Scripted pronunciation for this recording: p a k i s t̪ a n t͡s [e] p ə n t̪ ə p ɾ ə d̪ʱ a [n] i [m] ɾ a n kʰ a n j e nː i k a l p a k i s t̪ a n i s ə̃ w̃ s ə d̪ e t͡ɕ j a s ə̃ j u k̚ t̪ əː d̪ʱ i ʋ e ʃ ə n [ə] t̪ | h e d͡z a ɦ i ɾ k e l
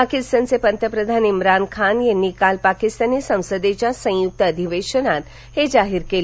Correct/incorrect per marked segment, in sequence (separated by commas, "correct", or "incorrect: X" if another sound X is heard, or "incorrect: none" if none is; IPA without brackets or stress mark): correct, correct, correct, incorrect: a